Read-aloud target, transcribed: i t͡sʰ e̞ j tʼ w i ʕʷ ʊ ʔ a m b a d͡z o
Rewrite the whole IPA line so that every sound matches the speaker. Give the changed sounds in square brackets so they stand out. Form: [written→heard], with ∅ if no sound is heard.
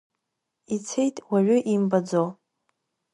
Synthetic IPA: i t͡sʰ e̞ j tʼ w [i→a] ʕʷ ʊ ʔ [a→i] m b a d͡z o

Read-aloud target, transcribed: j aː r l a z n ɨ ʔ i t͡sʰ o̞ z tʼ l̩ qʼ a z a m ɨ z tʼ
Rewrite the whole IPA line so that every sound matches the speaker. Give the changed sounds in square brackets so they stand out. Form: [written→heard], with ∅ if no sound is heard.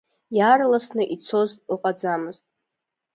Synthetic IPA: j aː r l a [z→s] n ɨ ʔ i t͡sʰ o̞ z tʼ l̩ qʼ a [z→d͡z] a m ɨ z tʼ

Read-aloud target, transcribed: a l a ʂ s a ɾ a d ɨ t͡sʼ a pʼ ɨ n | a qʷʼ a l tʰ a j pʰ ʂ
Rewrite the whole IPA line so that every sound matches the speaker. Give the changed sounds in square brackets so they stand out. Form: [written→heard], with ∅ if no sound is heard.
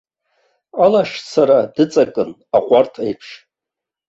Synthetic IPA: a l a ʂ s a ɾ a d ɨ t͡sʼ a [pʼ→kʼ] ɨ n | a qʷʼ a [l→r] tʰ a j pʰ ʂ

